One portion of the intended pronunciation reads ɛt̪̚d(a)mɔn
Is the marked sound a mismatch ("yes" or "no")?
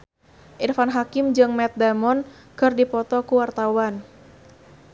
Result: no